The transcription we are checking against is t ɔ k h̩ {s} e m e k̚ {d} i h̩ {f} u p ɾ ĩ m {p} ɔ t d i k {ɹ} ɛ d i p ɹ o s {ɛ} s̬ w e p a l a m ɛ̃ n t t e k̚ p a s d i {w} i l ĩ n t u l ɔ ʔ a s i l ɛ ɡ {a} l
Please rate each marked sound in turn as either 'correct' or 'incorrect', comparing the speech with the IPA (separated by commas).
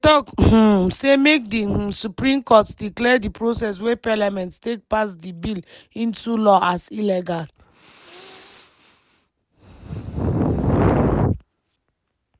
correct, correct, incorrect, incorrect, incorrect, correct, incorrect, correct